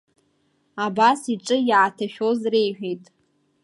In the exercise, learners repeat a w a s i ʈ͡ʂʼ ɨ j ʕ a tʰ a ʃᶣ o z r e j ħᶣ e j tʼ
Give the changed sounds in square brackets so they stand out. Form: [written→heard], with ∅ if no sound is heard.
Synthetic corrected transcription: a [w→b] a s i ʈ͡ʂʼ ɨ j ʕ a tʰ a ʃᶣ o z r e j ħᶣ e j tʼ